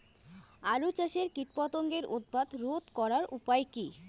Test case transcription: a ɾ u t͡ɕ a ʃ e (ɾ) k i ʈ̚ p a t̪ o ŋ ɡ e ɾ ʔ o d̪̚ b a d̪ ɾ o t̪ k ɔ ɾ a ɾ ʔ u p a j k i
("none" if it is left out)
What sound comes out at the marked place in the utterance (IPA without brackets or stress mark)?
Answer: ɾ